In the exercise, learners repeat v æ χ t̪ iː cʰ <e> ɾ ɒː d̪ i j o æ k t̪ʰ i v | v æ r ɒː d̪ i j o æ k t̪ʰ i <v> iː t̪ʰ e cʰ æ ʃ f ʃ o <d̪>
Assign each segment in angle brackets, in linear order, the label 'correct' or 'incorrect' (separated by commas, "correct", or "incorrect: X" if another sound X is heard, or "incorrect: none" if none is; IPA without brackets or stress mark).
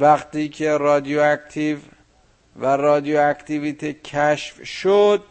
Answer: correct, correct, correct